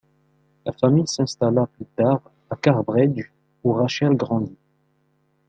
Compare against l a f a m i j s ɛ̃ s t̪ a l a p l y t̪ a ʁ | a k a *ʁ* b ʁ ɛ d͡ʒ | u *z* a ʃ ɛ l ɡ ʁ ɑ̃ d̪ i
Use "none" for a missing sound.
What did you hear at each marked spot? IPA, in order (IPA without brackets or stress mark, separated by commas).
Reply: ʁ, ʁ